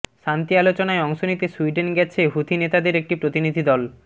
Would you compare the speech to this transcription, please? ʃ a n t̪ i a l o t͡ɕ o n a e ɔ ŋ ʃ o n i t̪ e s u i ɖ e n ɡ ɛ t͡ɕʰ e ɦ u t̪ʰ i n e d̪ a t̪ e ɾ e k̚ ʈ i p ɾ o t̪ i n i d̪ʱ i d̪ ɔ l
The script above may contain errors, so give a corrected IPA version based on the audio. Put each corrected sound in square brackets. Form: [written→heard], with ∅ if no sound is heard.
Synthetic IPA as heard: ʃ a n t̪ i a l o t͡ɕ o n a e ɔ ŋ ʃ o n i t̪ e s u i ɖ e n ɡ ɛ t͡ɕʰ e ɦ u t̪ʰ i n e [d̪→t̪] a [t̪→d̪] e ɾ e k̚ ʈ i p ɾ o t̪ i n i d̪ʱ i d̪ ɔ l